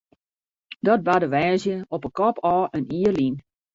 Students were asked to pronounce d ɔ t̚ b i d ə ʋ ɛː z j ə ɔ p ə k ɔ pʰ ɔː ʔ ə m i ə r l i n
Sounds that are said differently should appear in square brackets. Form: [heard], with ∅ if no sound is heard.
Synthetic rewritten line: d ɔ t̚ b [a] d ə ʋ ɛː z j ə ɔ p ə k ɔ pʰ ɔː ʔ ə [n] i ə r l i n